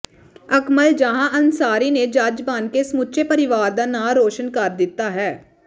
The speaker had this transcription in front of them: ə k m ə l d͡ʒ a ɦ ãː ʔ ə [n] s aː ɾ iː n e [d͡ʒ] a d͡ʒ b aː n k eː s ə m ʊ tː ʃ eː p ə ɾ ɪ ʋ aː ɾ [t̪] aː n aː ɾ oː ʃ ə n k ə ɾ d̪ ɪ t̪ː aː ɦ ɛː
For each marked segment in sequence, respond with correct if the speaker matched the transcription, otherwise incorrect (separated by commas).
correct, correct, incorrect